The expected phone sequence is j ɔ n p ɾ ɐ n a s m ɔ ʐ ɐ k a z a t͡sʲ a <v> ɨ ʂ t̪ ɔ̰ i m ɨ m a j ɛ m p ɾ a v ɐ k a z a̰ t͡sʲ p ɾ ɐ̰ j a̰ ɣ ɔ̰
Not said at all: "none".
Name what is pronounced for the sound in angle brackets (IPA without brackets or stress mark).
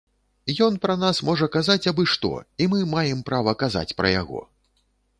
b